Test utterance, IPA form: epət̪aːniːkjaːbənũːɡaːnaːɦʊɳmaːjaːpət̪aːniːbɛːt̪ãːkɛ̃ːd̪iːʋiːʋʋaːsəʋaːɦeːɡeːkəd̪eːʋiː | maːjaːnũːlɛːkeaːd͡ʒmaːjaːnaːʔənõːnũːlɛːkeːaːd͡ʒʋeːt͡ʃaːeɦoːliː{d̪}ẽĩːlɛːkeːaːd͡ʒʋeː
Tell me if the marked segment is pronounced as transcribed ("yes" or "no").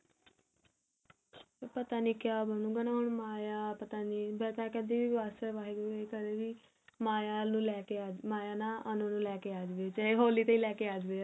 no